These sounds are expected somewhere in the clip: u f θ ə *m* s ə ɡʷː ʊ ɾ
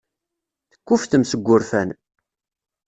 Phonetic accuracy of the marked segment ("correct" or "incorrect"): correct